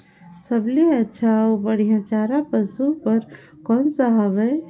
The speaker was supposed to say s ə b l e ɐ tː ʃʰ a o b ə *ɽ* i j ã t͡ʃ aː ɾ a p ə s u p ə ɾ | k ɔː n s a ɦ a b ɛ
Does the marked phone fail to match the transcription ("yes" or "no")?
no